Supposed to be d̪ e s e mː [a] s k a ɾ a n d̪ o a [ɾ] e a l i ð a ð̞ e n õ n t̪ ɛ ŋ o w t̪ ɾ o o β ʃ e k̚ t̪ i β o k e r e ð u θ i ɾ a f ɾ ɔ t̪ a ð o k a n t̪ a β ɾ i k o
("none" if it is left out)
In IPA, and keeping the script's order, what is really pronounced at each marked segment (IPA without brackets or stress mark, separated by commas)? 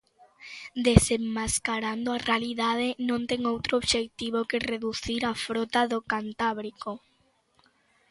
a, r